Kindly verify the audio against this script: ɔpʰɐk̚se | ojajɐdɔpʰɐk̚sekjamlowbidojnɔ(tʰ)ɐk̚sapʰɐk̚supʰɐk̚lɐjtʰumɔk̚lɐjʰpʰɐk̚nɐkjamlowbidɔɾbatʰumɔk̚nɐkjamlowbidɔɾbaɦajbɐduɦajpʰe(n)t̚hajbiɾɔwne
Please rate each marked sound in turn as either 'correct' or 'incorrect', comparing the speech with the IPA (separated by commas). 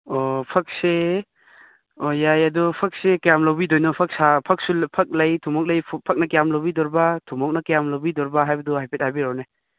incorrect, incorrect